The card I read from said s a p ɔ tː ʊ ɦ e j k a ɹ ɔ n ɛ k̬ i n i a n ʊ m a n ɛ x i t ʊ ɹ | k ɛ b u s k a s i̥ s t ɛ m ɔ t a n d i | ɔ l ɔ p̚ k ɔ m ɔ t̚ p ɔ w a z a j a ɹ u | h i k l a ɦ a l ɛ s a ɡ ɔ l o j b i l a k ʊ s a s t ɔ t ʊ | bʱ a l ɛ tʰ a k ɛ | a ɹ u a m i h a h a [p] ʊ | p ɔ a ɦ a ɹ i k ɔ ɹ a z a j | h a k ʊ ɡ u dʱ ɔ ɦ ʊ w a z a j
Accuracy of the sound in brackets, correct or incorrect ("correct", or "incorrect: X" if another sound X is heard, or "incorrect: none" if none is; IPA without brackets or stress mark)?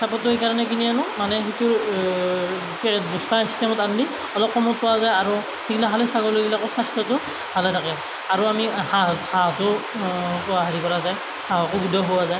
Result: incorrect: t